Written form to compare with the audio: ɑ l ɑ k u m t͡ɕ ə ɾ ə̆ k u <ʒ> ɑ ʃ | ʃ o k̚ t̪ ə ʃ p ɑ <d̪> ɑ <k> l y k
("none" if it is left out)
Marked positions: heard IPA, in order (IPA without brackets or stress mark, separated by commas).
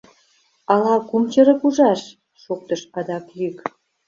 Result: ʒ, d̪, k